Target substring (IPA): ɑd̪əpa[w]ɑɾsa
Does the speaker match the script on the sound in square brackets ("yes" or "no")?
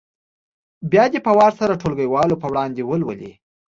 yes